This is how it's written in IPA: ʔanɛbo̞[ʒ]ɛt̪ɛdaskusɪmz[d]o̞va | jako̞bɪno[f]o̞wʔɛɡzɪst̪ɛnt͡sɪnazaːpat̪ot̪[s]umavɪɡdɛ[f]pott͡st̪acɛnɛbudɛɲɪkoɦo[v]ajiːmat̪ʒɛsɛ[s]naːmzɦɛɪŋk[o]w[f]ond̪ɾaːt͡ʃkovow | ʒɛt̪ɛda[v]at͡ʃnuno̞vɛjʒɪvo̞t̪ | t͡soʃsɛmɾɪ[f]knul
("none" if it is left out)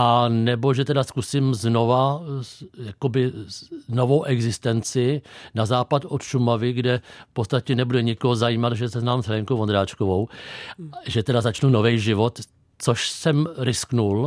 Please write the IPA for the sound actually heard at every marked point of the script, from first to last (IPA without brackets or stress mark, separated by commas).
ʒ, n, v, ʃ, f, z, z, o, v, z, s